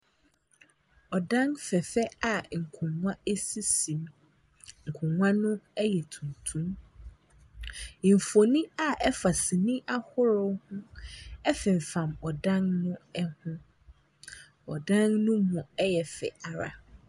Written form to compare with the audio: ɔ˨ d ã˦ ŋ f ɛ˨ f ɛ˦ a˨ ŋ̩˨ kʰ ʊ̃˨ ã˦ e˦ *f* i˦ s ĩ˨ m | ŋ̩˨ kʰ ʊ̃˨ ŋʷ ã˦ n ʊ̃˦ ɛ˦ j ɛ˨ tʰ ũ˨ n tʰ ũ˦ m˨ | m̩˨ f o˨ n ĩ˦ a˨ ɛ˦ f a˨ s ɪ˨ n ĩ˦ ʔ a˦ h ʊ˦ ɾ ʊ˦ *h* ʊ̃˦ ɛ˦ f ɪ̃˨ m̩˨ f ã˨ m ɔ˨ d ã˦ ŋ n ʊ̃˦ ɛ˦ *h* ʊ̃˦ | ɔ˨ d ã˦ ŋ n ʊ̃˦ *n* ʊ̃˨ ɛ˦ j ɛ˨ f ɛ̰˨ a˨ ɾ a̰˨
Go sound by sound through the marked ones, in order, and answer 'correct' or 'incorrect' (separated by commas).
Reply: incorrect, correct, correct, incorrect